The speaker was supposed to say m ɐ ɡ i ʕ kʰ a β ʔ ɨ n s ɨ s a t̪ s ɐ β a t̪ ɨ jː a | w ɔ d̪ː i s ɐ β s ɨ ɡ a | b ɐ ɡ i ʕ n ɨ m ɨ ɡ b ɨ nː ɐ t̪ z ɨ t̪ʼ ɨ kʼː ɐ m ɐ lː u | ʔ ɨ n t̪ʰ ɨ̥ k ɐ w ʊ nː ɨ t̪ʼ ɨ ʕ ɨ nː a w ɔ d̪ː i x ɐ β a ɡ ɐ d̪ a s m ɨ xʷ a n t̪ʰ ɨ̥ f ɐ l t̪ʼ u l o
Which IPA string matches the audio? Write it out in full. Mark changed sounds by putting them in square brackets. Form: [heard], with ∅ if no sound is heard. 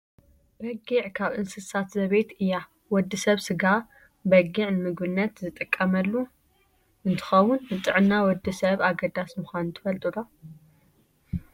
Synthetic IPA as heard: [b] ɐ ɡ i ʕ kʰ a β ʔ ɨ n s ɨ s a t̪ [z] ɐ β [e] t̪ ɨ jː a | w ɔ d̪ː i s ɐ β s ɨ ɡ a | b ɐ ɡ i ʕ n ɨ m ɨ ɡ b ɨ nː ɐ t̪ z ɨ t̪ʼ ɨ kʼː ɐ m ɐ lː u | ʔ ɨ n t̪ʰ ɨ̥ [x] ɐ w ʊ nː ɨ t̪ʼ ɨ ʕ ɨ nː a w ɔ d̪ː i [s] ɐ β a ɡ ɐ d̪ a s m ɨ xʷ a n t̪ʰ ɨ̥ f ɐ l t̪ʼ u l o